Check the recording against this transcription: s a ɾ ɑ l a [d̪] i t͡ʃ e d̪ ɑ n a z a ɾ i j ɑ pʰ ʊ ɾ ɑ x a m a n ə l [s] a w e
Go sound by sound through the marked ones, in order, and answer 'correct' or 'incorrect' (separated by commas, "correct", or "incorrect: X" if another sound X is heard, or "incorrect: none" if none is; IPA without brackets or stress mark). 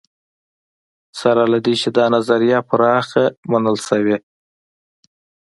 correct, correct